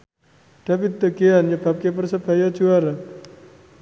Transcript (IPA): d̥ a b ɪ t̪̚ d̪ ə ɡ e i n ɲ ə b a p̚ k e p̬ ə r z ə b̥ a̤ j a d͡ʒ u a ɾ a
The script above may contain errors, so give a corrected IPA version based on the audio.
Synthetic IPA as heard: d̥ a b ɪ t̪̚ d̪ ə ɡ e a n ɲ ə b a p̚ k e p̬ ə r s ə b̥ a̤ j a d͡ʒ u a ɾ a